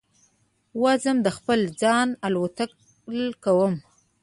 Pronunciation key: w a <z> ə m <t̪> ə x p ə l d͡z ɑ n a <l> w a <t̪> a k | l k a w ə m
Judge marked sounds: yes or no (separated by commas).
yes, no, yes, yes